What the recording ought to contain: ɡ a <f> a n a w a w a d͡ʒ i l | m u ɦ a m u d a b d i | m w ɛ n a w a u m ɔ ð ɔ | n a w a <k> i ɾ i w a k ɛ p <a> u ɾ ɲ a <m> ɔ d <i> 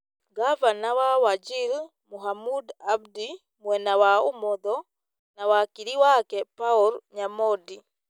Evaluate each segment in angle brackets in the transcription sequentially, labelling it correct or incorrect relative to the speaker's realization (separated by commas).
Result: incorrect, correct, correct, correct, correct